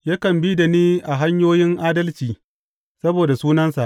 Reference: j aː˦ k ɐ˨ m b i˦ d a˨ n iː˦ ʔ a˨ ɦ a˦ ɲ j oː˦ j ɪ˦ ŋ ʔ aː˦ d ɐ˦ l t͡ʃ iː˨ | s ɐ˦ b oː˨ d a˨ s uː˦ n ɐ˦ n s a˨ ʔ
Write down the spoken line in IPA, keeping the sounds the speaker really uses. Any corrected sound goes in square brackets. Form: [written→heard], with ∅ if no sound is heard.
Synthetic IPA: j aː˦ k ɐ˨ m b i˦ d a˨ n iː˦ ʔ a˨ ɦ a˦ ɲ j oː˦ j ɪ˦ ŋ ʔ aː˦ d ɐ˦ l t͡ʃ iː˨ | s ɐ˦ b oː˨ d a˨ s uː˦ n ɐ˦ n s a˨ ʔ